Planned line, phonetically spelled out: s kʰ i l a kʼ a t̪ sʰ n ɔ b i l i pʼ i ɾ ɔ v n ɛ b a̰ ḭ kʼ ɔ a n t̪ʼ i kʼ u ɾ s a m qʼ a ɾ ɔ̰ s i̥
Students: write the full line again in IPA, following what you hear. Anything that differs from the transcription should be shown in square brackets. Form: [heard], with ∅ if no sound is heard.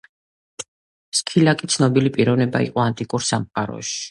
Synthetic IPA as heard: s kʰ i l a kʼ [i] t̪ sʰ n ɔ b i l i pʼ i ɾ ɔ v n ɛ b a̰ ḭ [qʼ] ɔ a n t̪ʼ i kʼ u ɾ s a m qʼ a ɾ ɔ̰ [ʃ] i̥